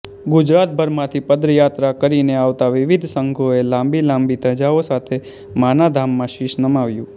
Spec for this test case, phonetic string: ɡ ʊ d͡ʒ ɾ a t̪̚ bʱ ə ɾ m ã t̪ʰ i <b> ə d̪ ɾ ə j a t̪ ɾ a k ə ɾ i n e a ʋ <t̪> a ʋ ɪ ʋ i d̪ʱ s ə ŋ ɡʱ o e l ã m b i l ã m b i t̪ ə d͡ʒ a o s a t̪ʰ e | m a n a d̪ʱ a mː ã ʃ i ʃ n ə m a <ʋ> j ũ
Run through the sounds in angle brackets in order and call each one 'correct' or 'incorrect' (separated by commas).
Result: incorrect, correct, correct